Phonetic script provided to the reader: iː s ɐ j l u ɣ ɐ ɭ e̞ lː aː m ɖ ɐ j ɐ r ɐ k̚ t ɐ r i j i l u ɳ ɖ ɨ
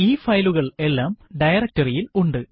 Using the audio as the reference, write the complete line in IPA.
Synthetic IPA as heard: iː f ɐ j l u ɣ ɐ ɭ e̞ lː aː m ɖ ɐ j ɐ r ɐ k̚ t ɐ r i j i l u ɳ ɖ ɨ